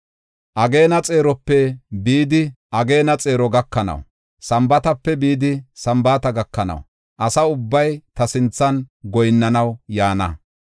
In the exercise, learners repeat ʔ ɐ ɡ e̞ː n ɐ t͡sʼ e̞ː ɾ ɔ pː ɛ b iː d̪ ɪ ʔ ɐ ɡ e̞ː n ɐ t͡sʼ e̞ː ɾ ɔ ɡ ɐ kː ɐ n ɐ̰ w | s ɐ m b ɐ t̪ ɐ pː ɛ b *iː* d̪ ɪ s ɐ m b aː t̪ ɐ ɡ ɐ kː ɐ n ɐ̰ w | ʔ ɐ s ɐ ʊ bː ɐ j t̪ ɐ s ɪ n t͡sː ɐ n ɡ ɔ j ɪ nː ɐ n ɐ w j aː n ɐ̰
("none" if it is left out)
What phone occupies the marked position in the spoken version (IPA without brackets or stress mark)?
iː